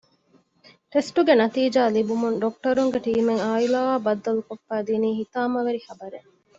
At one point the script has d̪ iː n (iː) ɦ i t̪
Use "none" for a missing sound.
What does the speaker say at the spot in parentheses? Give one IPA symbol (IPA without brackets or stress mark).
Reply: iː